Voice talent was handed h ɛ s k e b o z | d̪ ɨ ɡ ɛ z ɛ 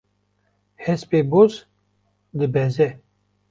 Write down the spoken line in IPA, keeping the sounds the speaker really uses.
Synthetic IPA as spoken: h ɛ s p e b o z | d̪ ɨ b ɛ z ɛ